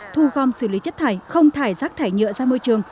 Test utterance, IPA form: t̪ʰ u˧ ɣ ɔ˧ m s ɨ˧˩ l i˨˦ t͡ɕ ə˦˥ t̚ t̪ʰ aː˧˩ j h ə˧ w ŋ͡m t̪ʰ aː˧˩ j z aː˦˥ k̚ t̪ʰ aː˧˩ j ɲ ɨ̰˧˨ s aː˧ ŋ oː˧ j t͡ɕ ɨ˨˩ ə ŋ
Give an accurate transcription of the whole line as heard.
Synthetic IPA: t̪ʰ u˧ ɣ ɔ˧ m s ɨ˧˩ l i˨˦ t͡ɕ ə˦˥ t̚ t̪ʰ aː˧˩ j x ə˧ w ŋ͡m t̪ʰ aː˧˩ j z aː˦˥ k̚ t̪ʰ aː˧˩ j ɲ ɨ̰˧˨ z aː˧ m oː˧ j t͡ɕ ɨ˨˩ ə ŋ